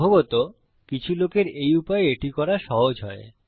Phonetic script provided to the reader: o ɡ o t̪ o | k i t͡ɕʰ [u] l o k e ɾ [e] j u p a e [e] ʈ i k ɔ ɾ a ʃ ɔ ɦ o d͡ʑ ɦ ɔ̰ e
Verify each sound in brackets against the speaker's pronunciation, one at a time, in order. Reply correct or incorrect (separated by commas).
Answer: correct, correct, correct